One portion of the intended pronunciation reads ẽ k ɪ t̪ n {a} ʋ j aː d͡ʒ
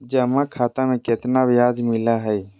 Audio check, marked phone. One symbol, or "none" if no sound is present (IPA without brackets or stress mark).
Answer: a